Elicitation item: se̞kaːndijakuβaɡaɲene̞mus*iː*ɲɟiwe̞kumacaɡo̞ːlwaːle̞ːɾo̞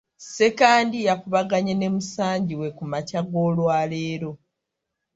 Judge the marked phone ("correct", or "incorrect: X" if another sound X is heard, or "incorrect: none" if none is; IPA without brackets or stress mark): incorrect: aː